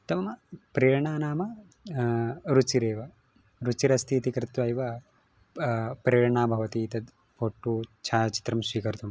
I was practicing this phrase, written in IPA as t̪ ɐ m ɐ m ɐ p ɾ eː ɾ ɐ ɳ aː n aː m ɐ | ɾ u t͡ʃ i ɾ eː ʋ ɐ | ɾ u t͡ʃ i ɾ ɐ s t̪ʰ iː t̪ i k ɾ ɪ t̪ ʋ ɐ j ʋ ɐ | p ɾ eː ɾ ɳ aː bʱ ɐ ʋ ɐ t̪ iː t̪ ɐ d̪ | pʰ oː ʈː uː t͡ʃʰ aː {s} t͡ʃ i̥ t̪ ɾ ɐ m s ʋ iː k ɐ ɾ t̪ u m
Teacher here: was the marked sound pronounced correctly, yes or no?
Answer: no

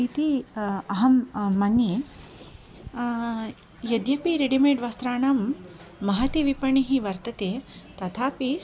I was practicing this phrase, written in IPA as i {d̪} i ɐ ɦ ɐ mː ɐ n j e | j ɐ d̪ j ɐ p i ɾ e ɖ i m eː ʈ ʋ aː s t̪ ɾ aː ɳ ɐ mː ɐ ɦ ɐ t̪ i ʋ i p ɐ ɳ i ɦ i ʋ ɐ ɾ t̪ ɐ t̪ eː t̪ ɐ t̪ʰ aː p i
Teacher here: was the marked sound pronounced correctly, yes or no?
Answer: no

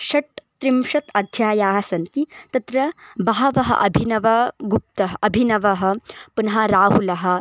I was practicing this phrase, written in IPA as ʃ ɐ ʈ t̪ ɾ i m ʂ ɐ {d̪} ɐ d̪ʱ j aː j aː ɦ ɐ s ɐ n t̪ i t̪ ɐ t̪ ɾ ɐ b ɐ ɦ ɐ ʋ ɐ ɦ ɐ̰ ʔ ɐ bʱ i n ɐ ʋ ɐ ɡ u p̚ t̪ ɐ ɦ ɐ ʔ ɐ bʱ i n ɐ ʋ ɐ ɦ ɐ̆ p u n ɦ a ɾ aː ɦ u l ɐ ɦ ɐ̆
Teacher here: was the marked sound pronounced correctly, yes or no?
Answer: no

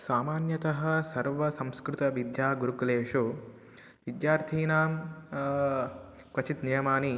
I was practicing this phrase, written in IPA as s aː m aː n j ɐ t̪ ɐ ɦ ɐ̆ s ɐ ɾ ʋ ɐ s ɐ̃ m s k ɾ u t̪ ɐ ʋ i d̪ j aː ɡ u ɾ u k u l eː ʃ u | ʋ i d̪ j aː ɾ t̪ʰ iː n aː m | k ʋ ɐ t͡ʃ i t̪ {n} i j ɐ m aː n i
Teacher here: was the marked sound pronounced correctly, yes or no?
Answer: yes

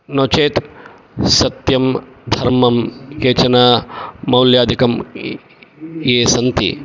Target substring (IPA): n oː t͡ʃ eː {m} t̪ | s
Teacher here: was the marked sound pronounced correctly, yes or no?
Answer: no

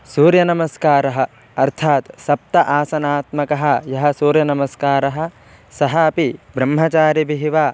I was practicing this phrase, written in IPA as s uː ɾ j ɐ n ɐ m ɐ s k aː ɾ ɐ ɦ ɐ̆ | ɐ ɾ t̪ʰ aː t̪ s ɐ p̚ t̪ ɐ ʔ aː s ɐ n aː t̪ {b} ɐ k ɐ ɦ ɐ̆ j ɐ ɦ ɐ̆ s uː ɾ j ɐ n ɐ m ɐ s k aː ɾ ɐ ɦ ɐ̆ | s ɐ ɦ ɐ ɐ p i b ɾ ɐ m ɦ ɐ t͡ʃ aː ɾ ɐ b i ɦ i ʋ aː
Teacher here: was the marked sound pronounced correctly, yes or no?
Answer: no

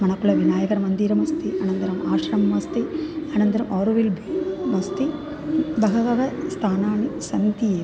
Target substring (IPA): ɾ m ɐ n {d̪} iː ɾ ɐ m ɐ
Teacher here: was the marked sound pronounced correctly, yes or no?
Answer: yes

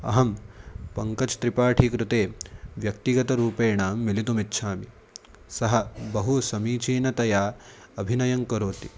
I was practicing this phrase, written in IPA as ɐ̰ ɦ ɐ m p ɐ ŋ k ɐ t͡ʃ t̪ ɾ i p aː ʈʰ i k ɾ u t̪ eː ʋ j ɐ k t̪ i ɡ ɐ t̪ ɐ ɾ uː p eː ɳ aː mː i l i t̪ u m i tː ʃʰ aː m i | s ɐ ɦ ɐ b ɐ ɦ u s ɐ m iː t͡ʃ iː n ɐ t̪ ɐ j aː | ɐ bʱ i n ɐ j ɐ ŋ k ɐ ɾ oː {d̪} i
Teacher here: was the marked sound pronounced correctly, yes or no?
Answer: no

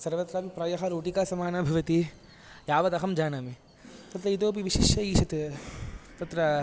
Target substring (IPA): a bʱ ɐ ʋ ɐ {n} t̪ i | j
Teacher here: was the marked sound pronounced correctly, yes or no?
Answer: no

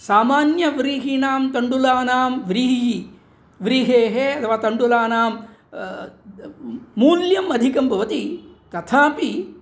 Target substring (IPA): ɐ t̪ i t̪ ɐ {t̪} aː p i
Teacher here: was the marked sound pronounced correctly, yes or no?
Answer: no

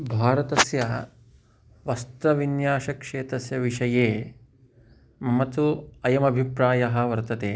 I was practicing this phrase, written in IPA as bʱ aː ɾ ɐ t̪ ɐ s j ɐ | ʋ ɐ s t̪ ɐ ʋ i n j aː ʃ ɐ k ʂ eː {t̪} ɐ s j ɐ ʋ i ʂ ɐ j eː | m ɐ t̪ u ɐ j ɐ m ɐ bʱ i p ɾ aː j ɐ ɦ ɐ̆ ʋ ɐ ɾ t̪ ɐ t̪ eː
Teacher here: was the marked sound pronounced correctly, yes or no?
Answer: yes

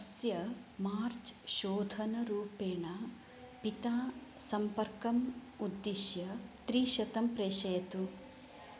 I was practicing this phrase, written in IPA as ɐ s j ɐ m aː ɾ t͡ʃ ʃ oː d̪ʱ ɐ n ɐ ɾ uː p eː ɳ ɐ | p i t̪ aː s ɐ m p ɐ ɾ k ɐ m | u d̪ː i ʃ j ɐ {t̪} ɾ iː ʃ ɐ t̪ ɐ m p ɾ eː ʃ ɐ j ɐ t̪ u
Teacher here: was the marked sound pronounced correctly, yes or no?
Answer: yes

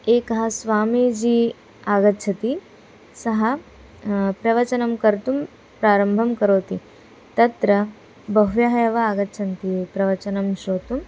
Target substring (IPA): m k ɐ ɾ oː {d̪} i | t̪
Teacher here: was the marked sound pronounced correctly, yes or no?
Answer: no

